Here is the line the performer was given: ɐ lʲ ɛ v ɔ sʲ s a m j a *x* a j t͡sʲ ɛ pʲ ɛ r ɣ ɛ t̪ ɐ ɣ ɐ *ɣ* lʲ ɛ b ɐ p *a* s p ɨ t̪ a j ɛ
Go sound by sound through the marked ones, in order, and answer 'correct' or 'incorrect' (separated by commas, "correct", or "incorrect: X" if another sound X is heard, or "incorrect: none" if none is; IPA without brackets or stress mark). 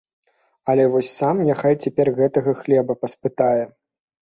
correct, incorrect: x, incorrect: ɐ